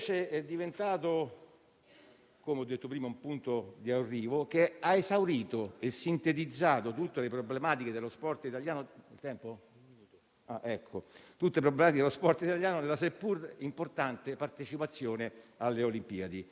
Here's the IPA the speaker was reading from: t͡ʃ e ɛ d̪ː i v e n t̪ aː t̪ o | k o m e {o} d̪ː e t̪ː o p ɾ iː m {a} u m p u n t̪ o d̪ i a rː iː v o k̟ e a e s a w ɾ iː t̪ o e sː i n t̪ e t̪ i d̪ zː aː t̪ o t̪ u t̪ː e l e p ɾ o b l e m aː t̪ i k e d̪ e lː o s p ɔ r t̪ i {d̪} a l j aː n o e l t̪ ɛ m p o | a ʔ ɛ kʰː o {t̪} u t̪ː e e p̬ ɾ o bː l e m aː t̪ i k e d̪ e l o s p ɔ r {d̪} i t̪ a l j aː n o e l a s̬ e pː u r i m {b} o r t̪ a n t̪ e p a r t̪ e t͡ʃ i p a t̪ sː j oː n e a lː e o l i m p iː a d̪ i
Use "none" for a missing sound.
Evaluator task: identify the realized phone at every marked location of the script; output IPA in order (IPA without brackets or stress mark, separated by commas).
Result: ɔ, a, t̪, t̪, t̪, p